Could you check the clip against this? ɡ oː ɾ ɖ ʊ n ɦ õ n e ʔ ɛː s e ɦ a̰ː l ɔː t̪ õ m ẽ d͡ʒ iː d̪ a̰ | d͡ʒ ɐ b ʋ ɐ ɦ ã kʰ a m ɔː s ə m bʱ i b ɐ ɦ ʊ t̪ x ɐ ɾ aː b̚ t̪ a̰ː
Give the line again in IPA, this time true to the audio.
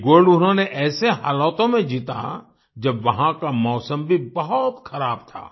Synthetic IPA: ɡ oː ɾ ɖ ʊ n ɦ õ n e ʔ ɛː s e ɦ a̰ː l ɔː t̪ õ m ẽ d͡ʒ iː t̪ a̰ | d͡ʒ ɐ b ʋ ɐ ɦ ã k a m ɔː s ə m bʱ i b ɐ ɦ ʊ t̪ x ɐ ɾ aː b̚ t̪ʰ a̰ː